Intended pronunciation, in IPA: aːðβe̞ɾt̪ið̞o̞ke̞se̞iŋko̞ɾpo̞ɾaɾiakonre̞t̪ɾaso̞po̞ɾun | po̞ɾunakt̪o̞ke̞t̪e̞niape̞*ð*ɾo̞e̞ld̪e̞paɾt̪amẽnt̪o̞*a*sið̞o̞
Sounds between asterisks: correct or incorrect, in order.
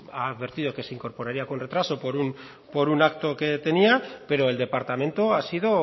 incorrect: none, correct

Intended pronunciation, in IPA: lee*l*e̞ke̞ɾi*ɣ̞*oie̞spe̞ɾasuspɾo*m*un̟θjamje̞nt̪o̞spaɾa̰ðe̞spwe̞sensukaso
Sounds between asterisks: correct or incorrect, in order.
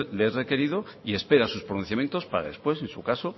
incorrect: r, incorrect: ð̞, incorrect: n

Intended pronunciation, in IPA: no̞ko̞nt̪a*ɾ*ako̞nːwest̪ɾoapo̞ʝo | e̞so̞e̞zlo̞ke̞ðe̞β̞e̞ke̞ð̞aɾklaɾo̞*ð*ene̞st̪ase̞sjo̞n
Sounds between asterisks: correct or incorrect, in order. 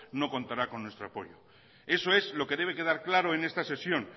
correct, incorrect: none

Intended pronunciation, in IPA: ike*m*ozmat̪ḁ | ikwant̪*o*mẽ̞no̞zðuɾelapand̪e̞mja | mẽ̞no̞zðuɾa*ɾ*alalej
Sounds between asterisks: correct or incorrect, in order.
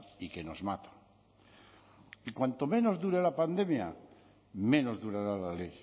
incorrect: n, correct, correct

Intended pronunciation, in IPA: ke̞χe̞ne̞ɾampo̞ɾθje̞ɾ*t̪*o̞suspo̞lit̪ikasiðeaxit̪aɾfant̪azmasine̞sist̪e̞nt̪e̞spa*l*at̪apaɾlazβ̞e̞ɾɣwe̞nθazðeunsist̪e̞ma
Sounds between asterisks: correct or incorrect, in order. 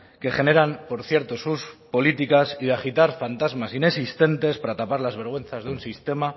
correct, incorrect: ɾ

